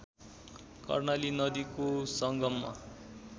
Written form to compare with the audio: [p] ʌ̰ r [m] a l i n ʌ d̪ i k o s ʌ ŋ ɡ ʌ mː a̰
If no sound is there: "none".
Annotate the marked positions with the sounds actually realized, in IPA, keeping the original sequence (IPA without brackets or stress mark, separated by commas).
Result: k, n